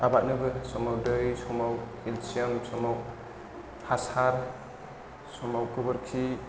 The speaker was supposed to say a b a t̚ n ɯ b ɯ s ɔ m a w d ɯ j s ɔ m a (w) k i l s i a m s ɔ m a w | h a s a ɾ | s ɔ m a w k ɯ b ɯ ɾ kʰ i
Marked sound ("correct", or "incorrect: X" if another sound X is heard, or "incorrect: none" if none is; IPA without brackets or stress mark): correct